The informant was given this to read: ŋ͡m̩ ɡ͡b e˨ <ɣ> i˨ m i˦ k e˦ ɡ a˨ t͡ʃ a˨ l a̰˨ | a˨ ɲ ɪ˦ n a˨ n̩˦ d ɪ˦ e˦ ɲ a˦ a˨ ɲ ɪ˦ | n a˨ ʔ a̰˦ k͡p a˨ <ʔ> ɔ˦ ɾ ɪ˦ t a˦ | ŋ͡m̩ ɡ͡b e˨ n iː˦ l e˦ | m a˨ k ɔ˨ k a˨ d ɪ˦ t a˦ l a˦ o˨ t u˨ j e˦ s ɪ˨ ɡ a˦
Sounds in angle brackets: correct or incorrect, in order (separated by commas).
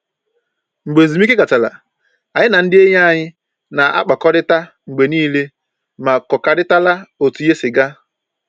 incorrect, incorrect